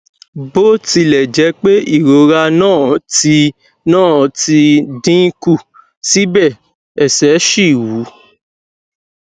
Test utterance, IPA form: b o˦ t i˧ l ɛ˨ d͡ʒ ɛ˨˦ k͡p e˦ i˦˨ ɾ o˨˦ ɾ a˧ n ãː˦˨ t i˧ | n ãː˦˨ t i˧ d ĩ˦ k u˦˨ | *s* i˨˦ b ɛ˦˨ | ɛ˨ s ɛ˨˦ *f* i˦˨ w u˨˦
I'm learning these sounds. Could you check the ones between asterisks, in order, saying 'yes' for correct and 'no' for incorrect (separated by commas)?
yes, no